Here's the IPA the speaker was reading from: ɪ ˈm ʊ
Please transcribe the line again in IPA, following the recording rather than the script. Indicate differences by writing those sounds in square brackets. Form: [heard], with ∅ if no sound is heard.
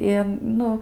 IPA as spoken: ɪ [ˈn] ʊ